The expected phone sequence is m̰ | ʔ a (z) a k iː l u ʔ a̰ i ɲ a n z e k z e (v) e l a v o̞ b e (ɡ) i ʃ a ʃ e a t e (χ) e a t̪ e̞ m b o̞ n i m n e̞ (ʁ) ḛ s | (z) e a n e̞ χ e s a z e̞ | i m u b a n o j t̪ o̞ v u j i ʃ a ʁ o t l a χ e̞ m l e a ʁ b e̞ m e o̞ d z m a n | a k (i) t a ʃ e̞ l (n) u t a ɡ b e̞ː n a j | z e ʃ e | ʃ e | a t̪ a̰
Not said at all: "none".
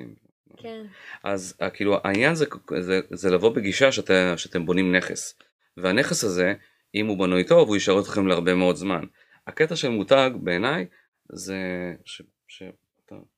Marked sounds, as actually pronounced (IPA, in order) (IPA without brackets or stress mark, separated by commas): z, z, ɡ, ʃ, χ, v, e, m